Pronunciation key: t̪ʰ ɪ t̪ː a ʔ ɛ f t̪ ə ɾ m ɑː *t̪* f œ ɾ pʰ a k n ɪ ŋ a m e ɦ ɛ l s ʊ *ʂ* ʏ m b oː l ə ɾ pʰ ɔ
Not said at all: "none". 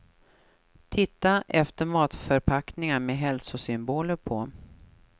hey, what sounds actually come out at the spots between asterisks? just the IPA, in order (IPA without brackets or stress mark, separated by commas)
t̪, s